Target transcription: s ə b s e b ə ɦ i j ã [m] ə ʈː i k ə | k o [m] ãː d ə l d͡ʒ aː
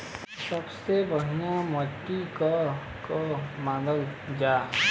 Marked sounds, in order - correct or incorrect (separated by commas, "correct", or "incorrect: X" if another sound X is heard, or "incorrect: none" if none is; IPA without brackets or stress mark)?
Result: correct, correct